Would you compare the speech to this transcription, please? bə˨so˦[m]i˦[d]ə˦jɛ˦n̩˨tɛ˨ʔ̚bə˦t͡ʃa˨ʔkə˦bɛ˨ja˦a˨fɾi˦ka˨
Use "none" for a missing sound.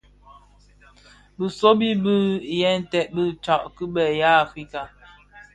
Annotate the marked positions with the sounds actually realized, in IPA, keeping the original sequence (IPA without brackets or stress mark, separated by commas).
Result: b, b